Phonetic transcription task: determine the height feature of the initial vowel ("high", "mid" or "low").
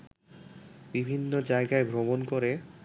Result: high